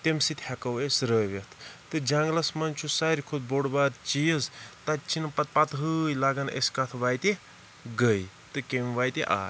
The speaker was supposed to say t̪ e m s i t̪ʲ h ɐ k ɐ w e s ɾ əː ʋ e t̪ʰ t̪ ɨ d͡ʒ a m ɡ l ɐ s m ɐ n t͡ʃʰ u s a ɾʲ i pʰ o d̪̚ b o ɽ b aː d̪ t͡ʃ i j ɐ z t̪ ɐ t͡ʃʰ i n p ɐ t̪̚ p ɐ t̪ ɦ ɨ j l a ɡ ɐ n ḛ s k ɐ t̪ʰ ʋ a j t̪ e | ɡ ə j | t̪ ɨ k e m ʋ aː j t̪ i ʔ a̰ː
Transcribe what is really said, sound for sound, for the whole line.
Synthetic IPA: t̪ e m s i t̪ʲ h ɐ k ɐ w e s ɾ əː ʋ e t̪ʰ t̪ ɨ d͡ʒ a ŋ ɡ l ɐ s m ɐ n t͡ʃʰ u s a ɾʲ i kʰ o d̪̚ b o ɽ b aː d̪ t͡ʃ i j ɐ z t̪ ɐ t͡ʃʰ i n p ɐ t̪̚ p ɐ t̪ ɦ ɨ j l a ɡ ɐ n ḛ s k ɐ t̪ʰ ʋ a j t̪ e | ɡ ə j | t̪ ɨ k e m ʋ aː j t̪ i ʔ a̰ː